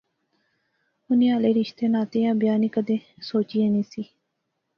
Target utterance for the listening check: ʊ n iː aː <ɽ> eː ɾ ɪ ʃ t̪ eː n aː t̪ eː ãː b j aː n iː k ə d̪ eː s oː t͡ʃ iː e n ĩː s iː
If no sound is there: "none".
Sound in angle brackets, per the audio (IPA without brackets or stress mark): l